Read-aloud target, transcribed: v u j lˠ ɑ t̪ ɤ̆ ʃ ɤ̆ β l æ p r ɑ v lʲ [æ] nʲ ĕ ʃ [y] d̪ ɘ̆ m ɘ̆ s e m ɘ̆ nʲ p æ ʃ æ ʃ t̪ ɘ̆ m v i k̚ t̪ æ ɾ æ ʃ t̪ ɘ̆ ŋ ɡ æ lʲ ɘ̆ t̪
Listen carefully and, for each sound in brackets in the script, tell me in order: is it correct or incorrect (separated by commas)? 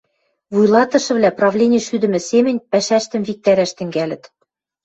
incorrect, correct